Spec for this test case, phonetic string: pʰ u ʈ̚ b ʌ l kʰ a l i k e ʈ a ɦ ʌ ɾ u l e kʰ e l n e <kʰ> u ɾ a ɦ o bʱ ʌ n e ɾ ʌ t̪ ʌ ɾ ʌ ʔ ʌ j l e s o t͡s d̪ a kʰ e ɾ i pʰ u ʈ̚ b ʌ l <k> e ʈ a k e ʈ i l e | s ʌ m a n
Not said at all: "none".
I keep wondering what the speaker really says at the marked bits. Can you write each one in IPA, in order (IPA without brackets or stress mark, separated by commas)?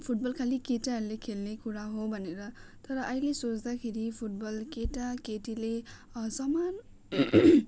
k, k